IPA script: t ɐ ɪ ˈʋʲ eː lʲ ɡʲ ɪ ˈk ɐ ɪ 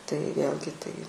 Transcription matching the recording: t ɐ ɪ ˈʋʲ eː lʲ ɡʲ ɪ ˈt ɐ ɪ